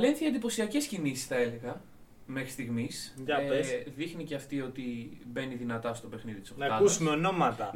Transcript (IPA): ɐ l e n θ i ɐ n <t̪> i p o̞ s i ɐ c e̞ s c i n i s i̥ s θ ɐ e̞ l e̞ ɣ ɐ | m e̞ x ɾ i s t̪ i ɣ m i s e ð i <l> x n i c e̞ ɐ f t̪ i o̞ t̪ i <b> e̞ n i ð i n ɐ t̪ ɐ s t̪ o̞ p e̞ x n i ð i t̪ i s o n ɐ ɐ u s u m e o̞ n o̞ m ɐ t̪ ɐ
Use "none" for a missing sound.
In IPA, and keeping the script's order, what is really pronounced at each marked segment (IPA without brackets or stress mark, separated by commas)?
d̪, none, b